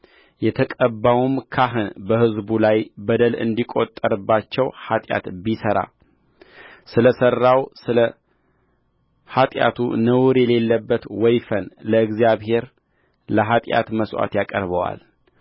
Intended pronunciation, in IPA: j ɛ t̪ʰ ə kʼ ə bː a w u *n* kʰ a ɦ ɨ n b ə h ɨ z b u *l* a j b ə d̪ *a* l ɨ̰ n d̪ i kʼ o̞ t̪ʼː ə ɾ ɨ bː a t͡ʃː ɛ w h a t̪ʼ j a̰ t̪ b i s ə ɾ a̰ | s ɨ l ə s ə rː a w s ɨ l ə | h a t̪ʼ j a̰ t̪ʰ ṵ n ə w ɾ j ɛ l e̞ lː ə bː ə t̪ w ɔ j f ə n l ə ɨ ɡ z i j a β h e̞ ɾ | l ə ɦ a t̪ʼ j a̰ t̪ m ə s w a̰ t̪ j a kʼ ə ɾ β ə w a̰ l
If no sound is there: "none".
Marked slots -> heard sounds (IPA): m, l, ə

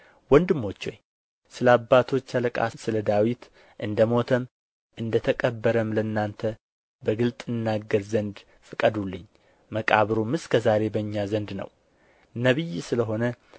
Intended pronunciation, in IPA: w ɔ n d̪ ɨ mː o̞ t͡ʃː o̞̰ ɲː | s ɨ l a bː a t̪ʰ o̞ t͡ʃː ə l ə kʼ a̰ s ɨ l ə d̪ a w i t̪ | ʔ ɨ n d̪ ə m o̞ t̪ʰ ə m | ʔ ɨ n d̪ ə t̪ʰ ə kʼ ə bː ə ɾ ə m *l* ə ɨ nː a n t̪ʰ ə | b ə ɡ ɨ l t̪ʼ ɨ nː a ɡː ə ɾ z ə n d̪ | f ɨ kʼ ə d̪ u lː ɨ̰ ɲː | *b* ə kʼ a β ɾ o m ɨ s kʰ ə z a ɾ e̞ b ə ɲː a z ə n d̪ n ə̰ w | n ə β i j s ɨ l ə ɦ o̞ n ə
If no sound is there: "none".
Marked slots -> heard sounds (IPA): l, m

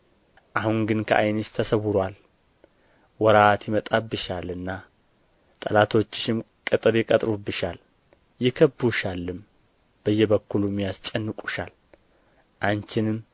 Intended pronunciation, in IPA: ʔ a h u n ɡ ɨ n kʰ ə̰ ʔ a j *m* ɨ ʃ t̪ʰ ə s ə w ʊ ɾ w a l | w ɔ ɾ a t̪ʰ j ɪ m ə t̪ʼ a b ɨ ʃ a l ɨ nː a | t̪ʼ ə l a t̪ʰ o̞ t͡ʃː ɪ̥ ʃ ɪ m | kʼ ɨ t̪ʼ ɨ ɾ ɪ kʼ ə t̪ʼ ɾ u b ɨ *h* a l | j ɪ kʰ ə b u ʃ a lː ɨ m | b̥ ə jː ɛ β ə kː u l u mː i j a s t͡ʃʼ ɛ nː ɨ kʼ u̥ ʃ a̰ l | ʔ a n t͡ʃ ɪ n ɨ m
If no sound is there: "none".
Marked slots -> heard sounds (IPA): n, ʃ

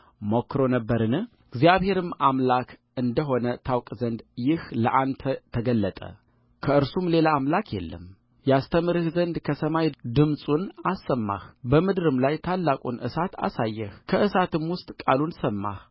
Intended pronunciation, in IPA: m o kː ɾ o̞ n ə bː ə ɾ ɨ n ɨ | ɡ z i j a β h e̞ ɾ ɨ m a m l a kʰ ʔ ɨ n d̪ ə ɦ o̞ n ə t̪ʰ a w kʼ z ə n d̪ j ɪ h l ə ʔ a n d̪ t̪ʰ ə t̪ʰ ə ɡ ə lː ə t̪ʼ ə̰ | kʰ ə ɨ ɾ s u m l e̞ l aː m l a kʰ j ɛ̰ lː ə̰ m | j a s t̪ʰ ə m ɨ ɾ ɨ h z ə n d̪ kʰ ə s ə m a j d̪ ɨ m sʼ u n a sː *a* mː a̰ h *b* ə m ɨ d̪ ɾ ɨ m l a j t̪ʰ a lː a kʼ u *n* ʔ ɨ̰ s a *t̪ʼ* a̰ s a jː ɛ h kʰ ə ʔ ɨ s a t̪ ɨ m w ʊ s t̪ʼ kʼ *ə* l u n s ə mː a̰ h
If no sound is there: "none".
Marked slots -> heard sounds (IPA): ə, b, n, t̪, a

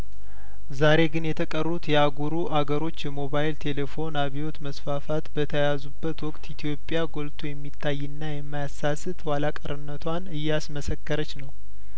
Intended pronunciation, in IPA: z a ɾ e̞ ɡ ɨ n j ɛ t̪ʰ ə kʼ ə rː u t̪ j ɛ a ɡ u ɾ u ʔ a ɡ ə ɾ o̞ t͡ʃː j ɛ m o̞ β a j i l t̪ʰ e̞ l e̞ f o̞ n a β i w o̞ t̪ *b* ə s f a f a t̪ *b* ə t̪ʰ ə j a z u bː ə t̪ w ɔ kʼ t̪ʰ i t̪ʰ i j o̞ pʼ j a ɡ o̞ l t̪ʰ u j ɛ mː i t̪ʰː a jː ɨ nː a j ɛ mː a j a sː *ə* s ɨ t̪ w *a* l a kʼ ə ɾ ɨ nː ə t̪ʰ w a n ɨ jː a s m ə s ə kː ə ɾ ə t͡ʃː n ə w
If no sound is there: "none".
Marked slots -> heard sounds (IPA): m, b, a, a

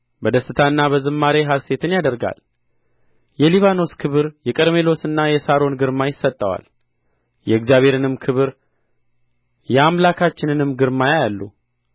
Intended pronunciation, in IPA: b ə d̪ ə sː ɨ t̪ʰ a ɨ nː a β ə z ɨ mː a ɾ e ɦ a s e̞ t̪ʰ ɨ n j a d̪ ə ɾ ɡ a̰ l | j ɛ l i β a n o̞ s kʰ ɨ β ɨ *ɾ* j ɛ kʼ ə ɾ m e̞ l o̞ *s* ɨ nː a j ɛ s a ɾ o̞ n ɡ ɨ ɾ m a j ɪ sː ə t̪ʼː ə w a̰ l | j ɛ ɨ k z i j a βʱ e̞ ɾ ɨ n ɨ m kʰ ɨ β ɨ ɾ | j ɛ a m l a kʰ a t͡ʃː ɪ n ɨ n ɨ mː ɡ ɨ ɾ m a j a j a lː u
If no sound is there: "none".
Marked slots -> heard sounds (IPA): ɾ, s

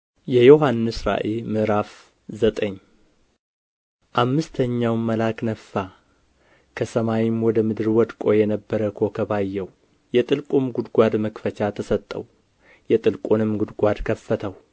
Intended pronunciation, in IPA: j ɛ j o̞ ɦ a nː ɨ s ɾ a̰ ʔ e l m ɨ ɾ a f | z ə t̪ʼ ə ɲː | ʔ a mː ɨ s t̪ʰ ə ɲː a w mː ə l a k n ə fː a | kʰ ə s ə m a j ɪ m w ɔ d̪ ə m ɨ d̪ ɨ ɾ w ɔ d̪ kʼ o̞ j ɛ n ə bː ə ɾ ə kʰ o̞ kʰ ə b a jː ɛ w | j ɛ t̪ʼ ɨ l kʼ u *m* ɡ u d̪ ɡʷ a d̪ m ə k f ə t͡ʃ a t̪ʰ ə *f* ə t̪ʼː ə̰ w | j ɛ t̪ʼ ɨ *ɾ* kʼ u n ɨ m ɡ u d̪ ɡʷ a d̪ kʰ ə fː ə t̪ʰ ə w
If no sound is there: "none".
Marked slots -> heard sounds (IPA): m, s, l

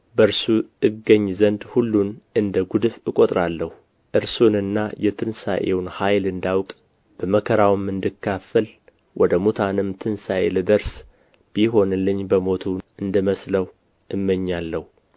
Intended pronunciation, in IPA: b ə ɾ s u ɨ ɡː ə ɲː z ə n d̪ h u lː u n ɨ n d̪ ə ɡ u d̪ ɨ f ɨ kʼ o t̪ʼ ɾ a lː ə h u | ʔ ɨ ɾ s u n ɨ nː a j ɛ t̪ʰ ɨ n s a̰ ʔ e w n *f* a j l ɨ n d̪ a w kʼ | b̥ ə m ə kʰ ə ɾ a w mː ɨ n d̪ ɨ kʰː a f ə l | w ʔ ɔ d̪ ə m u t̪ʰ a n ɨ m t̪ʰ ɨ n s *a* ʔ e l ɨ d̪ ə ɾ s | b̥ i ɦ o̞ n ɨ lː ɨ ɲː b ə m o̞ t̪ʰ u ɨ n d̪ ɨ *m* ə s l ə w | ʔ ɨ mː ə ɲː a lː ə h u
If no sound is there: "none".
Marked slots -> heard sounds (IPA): h, a, m

